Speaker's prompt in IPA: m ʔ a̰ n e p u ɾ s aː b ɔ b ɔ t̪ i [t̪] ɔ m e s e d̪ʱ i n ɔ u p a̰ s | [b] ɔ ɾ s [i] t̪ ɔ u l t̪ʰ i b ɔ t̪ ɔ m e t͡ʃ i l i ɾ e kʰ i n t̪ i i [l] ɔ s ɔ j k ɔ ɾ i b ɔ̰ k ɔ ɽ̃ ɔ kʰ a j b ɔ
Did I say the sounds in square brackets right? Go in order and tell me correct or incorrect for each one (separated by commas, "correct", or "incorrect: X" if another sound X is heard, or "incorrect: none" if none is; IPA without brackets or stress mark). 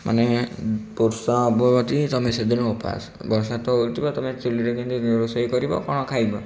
correct, correct, incorrect: a, incorrect: ɾ